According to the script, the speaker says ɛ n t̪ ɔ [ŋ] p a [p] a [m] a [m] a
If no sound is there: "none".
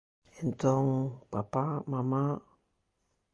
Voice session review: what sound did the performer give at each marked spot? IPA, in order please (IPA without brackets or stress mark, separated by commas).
ŋ, p, m, m